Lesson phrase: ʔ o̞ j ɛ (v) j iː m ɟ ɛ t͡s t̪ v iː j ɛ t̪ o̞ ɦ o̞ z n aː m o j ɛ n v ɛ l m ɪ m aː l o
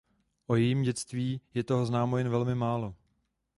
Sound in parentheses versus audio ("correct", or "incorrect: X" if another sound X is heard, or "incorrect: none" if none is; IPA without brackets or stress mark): incorrect: none